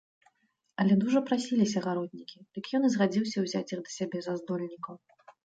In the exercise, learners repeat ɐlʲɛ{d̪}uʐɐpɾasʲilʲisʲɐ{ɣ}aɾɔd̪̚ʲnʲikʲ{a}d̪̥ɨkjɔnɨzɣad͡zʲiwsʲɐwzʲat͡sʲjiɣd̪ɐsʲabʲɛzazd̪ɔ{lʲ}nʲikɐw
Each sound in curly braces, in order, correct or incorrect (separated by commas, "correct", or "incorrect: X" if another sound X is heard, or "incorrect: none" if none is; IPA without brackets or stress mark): correct, correct, incorrect: i, correct